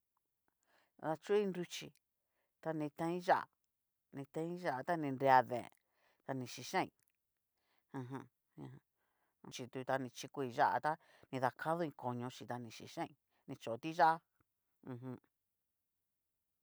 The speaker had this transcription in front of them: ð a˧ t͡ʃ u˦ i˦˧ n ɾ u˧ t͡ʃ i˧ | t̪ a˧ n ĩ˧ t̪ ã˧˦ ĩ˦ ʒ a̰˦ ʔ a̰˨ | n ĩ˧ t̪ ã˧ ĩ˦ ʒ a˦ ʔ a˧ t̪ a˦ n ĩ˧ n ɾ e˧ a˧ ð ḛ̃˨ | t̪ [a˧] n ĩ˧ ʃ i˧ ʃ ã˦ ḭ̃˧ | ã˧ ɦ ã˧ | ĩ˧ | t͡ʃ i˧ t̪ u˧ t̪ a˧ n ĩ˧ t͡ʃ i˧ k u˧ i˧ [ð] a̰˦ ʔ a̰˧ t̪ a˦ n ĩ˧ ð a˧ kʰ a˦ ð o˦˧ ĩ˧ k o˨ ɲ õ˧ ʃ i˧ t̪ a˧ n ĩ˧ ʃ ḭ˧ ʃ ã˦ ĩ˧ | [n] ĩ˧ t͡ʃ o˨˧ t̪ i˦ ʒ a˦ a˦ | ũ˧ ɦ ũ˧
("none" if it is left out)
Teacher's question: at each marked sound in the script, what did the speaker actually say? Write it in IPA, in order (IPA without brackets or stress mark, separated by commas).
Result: a˧, ʒ, n